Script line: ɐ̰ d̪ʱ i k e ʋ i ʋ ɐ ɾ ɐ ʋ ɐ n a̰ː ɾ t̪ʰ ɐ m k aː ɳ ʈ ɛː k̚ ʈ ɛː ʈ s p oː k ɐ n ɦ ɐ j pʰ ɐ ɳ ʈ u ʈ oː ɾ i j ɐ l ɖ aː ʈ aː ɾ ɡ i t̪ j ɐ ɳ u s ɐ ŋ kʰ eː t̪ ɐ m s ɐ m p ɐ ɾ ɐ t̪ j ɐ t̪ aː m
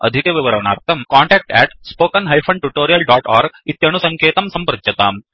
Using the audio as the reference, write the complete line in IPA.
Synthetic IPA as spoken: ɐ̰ d̪ʱ i k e ʋ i ʋ ɐ ɾ ɐ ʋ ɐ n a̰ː ɾ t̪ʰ ɐ m k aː ɳ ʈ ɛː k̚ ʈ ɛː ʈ s p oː k ɐ n ɦ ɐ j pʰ ɐ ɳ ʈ u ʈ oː ɾ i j ɐ l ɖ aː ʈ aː ɾ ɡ i t̪ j ɐ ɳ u s ɐ ŋ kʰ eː t̪ ɐ m s ɐ m p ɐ ɾ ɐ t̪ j ɐ t̪ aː m